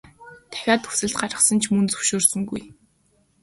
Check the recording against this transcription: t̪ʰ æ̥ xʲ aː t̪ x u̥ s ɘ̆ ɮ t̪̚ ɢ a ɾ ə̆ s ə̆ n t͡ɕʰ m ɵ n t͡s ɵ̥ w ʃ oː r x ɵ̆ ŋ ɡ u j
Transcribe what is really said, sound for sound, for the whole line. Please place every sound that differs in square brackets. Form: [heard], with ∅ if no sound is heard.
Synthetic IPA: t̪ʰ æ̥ xʲ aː t̪ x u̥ s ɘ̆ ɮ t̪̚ ɢ a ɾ ə̆ s ə̆ n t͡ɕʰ m ɵ n t͡s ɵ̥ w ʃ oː r [s] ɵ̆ ŋ ɡ u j